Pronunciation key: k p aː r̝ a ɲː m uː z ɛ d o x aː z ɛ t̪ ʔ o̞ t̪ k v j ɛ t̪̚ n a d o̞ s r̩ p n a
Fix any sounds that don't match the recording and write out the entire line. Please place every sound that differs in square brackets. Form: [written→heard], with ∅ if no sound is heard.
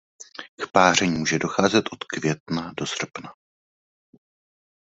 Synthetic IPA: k p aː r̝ [a→ɛ] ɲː m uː [z→ʒ] ɛ d o x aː z ɛ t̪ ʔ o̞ t̪ k v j ɛ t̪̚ n a d o̞ s r̩ p n a